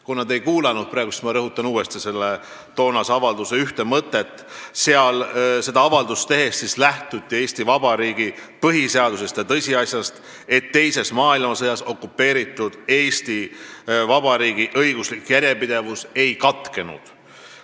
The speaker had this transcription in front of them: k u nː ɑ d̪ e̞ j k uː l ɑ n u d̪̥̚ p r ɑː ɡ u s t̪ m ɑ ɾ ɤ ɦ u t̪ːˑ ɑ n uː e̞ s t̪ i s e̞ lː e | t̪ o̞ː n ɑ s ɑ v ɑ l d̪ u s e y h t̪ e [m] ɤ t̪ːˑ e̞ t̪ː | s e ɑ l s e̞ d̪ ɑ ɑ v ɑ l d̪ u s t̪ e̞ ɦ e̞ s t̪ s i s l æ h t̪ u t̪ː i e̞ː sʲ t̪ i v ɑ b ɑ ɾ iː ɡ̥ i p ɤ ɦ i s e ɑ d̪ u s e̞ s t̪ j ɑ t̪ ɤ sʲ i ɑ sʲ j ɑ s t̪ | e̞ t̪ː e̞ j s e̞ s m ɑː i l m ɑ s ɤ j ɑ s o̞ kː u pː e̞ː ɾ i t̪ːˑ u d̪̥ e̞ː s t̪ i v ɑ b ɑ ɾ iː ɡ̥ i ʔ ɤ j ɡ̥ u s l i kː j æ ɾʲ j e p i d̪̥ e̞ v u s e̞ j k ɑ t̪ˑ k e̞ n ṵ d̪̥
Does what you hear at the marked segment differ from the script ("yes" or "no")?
no